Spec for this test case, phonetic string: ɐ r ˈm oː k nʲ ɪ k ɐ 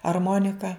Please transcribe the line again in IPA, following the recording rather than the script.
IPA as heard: ɐ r ˈm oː nʲ ɪ k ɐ